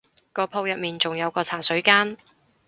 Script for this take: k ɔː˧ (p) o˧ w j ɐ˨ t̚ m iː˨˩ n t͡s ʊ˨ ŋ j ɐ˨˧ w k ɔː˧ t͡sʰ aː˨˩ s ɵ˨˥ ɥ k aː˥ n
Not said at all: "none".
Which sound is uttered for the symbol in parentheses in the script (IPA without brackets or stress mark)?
pʰ